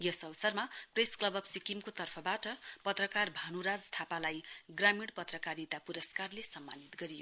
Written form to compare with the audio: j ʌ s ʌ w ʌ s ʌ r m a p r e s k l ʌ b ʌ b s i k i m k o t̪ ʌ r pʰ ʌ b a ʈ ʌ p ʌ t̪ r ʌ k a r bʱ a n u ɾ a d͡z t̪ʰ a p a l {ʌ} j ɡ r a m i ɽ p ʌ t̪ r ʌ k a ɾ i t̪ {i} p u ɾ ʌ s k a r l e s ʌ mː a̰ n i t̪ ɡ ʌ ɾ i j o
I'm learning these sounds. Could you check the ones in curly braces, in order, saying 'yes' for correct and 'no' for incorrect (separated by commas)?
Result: no, no